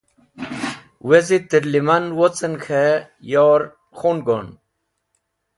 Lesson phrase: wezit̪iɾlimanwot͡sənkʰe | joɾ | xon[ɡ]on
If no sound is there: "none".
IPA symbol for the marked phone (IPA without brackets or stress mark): ɡ